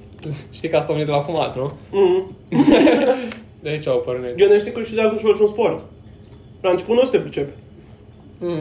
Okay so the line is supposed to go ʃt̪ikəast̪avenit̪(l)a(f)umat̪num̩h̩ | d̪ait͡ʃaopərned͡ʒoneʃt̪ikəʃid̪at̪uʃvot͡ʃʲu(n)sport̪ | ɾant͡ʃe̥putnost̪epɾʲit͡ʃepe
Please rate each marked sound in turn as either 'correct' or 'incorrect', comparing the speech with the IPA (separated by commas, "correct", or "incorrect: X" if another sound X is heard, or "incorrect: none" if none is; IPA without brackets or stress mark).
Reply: correct, correct, correct